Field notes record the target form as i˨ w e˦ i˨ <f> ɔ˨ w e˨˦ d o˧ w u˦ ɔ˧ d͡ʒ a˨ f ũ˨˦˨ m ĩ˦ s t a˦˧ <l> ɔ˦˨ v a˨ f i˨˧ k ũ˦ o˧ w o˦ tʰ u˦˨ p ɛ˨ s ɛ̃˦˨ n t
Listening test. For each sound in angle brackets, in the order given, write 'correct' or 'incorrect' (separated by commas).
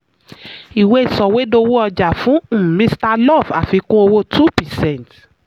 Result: incorrect, correct